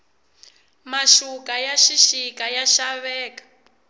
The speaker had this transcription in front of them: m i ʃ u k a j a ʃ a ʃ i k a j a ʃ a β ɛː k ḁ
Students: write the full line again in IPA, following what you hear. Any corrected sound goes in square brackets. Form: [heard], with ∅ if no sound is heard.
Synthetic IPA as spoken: m [a] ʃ u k a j a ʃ [i] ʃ i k a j a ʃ a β ɛː k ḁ